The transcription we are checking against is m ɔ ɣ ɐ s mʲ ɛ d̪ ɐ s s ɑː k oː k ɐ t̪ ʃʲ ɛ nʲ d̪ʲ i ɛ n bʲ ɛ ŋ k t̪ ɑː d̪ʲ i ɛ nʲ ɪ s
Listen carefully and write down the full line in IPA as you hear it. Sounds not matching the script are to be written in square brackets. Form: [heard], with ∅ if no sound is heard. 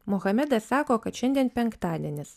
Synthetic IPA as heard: m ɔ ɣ ɐ [∅] mʲ ɛ d̪ ɐ s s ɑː k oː k ɐ t̪ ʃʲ ɛ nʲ d̪ʲ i ɛ n [pʲ] ɛ ŋ k t̪ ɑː d̪ʲ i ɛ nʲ ɪ s